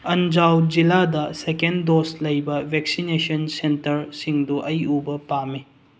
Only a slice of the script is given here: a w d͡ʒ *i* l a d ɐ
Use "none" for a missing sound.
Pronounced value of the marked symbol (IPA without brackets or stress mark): i